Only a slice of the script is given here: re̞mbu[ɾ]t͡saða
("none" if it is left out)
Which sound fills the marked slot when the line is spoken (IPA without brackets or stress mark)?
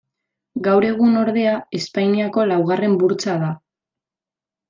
ɾ